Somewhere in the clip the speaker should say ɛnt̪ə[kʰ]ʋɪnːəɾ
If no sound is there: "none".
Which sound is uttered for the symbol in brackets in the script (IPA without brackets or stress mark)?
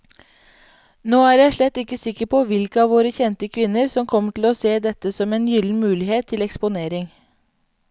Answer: kʰ